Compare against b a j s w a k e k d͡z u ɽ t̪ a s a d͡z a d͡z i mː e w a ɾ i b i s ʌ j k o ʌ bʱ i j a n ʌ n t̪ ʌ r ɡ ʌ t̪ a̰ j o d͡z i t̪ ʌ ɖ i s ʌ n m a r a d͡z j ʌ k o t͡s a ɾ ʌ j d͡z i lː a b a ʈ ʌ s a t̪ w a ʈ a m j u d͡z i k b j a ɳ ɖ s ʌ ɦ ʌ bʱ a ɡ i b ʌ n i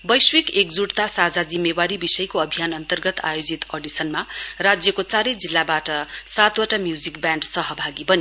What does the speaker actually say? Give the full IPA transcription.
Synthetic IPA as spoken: b ʌ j s w i k e k d͡z u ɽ t̪ a s a d͡z a d͡z i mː e w a ɾ i b i s ʌ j k o ʌ bʱ i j a n ʌ n t̪ ʌ r ɡ ʌ t̪ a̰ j o d͡z i t̪ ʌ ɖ i s ʌ n m a r a d͡z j ʌ k o t͡s a ɾ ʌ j d͡z i lː a b a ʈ ʌ s a t̪ w a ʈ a m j u d͡z i k b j a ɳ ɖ s ʌ ɦ ʌ bʱ a ɡ i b ʌ n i